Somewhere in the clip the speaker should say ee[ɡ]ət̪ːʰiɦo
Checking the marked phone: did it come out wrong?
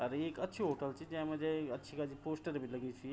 yes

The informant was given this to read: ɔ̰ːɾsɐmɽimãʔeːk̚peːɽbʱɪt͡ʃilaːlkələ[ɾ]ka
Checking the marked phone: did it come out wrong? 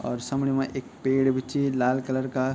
no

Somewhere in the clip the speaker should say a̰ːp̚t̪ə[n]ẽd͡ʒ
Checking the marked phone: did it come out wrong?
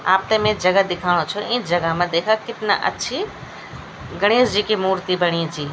yes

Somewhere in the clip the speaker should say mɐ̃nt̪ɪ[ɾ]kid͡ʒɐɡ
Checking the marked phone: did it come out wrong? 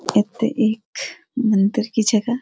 no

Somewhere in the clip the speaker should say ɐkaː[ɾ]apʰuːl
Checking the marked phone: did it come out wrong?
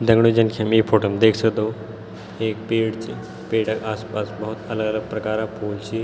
no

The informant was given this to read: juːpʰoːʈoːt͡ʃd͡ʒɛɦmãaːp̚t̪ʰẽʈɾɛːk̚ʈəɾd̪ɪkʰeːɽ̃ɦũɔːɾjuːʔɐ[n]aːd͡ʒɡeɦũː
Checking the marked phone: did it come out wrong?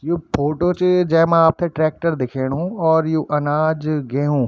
no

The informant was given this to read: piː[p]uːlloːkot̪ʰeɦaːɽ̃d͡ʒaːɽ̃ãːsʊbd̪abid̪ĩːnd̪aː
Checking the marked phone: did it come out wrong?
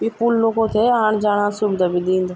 no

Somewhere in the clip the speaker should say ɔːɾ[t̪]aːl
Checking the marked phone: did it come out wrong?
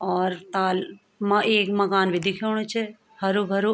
no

